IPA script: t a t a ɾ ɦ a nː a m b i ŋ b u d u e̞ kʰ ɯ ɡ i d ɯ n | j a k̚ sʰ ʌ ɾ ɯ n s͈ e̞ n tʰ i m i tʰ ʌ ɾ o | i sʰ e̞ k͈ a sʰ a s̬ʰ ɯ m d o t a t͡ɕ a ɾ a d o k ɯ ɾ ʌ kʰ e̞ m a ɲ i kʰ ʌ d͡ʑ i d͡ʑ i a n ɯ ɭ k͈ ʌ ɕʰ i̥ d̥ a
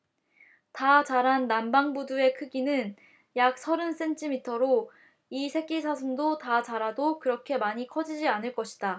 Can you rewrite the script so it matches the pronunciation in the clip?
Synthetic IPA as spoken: t a t͡ɕ a ɾ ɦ a nː a m b a ŋ b u d u e̞ kʰ ɯ ɡ i n ɯ n | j a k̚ sʰ ʌ ɾ ɯ n s͈ e̞ n tʰ i m i tʰ ʌ ɾ o | i sʰ e̞ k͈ i sʰ a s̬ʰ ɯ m d o t a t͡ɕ a ɾ a d o k ɯ ɾ ʌ kʰ e̞ m a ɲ i kʰ ʌ d͡ʑ i d͡ʑ i a n ɯ ɭ k͈ ʌ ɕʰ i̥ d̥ a

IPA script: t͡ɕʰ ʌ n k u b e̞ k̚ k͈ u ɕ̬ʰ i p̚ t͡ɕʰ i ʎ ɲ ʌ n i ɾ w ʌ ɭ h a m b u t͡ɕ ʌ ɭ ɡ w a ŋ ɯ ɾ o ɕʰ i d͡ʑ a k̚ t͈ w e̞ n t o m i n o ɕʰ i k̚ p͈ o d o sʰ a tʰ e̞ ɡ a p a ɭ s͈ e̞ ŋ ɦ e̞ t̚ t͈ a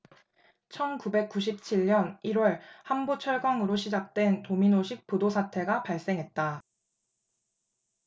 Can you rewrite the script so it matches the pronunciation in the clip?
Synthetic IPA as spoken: t͡ɕʰ ʌ n k u b e̞ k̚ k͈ u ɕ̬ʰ i p̚ t͡ɕʰ i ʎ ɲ ʌ n i ɾ w ʌ ɭ h a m b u t͡ɕʰ ʌ ɭ ɡ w a ŋ ɯ ɾ o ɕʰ i d͡ʑ a k̚ t͈ w e̞ n t o m i n o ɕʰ i k̚ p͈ o d o sʰ a tʰ e̞ ɡ a p a ɭ s͈ e̞ ŋ ɦ e̞ t̚ t͈ a

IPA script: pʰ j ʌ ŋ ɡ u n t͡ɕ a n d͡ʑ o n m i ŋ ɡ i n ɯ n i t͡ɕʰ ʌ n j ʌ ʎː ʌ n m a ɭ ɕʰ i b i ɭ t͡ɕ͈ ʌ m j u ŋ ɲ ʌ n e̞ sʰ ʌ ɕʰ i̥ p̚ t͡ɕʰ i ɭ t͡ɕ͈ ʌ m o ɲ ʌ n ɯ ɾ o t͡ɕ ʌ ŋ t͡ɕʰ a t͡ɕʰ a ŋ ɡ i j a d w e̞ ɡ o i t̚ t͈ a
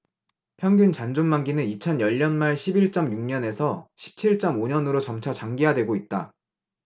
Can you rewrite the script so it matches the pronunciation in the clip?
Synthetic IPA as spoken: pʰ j ʌ ŋ ɡ u n t͡ɕ a n d͡ʑ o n m a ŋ ɡ i n ɯ n i t͡ɕʰ ʌ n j ʌ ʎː ʌ n m a ɭ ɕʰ i b i ɭ t͡ɕ͈ ʌ m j u ŋ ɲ ʌ n e̞ sʰ ʌ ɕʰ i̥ p̚ t͡ɕʰ i ɭ t͡ɕ͈ ʌ m o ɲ ʌ n ɯ ɾ o t͡ɕ ʌ m t͡ɕʰ a t͡ɕ a ŋ ɡ i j a d w e̞ ɡ o i t̚ t͈ a

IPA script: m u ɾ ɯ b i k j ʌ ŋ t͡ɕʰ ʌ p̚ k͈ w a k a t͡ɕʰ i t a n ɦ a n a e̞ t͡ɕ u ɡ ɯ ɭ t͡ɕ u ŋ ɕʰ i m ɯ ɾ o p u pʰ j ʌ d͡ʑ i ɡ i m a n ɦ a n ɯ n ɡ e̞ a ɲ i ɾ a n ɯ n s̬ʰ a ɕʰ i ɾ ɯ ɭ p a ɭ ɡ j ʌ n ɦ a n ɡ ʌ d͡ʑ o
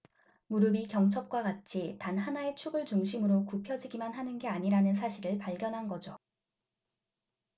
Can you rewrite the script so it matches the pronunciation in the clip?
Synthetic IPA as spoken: m u ɾ ɯ b i k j ʌ ŋ t͡ɕʰ ʌ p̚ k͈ w a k a t͡ɕʰ i t a n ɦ a n a e̞ t͡ɕʰ u ɡ ɯ ɭ t͡ɕ u ŋ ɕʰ i m ɯ ɾ o k u pʰ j ʌ d͡ʑ i ɡ i m a n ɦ a n ɯ n ɡ e̞ a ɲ i ɾ a n ɯ n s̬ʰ a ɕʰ i ɾ ɯ ɭ p a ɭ ɡ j ʌ n ɦ a n ɡ ʌ d͡ʑ o

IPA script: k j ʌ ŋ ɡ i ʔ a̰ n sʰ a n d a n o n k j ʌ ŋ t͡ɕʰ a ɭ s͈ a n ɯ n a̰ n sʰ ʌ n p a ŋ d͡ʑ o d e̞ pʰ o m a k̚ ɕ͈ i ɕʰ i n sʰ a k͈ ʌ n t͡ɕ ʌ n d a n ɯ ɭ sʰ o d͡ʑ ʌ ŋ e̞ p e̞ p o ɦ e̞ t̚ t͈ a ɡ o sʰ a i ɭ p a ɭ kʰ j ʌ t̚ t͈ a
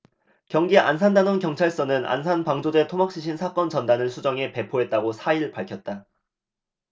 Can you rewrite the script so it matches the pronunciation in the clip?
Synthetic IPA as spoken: k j ʌ ŋ ɡ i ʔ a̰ n sʰ a n d a n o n k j ʌ ŋ t͡ɕʰ a ɭ s͈ ʌ n ɯ n a̰ n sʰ a n p a ŋ d͡ʑ o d e̞ tʰ o m a k̚ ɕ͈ i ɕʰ i n sʰ a k͈ ʌ n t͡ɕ ʌ n d a n ɯ ɭ sʰ u d͡ʑ ʌ ŋ e̞ p e̞ pʰ o ɦ e̞ t̚ t͈ a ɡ o sʰ a i ɭ p a ɭ kʰ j ʌ t̚ t͈ a

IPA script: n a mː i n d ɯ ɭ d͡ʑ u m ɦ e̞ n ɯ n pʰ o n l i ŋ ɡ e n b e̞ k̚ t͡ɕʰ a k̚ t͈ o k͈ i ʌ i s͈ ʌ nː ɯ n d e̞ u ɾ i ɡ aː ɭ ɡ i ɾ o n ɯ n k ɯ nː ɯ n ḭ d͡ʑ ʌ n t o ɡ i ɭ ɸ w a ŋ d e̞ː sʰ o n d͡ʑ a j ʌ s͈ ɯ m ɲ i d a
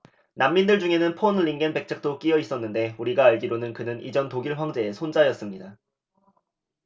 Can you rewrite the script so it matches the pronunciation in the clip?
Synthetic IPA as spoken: n a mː i n d ɯ ɭ d͡ʑ u ŋ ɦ e̞ n ɯ n pʰ o n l i ŋ ɡ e n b e̞ k̚ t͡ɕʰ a k̚ t͈ o k͈ i ʌ i s͈ ʌ nː ɯ n d e̞ u ɾ i ɡ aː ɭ ɡ i ɾ o n ɯ n k ɯ n ɯ n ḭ d͡ʑ ʌ n t o ɡ i ɭ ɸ w a ŋ d͡ʑ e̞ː sʰ o n d͡ʑ a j ʌ s͈ ɯ m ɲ i d a

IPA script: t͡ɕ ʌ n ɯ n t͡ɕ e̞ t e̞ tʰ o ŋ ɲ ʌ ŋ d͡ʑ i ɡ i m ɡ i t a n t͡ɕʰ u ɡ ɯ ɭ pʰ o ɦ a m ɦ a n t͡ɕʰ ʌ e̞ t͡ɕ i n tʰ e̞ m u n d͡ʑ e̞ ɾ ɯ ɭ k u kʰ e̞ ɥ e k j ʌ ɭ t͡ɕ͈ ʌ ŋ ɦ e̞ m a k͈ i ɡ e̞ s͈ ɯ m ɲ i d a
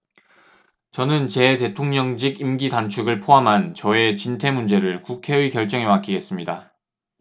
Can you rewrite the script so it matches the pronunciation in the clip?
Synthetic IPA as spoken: t͡ɕ ʌ n ɯ n t͡ɕ e̞ t e̞ tʰ o ŋ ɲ ʌ ŋ d͡ʑ i ɡ i m ɡ i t a n t͡ɕʰ u ɡ ɯ ɭ pʰ o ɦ a m ɦ a n t͡ɕ ʌ e̞ t͡ɕ i n tʰ e̞ m u n d͡ʑ e̞ ɾ ɯ ɭ k u kʰ e̞ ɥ i k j ʌ ɭ t͡ɕ͈ ʌ ŋ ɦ e̞ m a k͈ i ɡ e̞ s͈ ɯ m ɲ i d a

